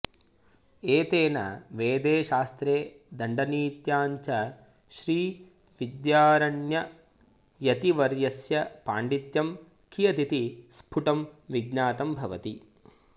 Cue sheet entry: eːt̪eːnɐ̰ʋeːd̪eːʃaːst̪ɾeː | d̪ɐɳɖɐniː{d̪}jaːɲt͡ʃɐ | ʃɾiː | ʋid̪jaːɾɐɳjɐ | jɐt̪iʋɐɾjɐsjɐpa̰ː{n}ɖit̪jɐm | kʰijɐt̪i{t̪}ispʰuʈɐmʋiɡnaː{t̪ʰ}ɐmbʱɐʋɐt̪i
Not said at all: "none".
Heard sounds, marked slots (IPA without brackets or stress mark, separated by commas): t̪, ɳ, t̪, t̪